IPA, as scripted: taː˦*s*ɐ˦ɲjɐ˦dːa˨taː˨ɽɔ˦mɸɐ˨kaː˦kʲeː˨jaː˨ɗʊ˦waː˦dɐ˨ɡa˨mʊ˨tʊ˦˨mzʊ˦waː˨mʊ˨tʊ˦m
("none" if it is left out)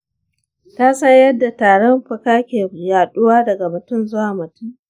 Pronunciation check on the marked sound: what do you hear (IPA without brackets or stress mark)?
s